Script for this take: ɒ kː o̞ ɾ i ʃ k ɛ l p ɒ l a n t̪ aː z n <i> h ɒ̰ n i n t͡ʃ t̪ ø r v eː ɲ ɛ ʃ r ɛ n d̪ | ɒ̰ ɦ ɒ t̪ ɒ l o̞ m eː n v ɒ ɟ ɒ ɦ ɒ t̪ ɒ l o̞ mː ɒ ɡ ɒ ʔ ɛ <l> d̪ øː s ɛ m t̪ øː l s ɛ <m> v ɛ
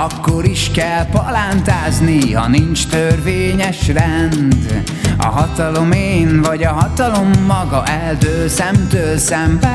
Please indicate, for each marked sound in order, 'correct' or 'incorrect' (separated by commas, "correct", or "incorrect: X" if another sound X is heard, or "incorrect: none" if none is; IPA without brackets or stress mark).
correct, correct, correct